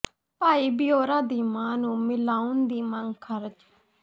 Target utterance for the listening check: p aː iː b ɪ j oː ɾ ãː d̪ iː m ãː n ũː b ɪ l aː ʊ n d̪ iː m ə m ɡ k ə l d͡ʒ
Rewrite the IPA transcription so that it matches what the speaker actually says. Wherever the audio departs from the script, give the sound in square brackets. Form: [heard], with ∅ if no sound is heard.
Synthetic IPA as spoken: p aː iː b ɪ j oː ɾ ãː d̪ iː m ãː n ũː [m] ɪ l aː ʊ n d̪ iː m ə [ŋ] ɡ [kʰ] ə [ɾ] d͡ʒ